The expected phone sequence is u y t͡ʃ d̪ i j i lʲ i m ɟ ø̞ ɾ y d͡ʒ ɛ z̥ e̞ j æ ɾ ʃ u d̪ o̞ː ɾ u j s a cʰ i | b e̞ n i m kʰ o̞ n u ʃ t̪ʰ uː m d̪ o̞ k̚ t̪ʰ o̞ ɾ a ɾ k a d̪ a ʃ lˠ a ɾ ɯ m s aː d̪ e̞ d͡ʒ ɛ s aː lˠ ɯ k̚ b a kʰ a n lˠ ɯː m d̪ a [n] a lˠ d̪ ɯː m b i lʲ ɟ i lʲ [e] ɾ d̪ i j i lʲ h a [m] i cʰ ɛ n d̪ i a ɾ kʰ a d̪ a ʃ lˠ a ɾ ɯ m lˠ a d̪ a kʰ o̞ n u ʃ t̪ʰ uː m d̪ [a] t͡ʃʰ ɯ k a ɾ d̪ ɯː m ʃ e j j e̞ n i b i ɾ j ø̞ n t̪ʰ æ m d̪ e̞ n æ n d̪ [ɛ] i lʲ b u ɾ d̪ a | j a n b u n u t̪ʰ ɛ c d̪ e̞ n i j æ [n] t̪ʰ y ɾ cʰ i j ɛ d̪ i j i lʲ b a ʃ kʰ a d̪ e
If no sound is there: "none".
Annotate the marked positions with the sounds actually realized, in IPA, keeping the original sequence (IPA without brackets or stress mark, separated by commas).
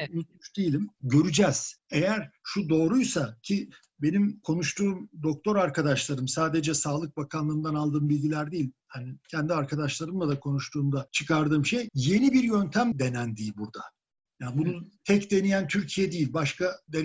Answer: n, æ, n, a, i, n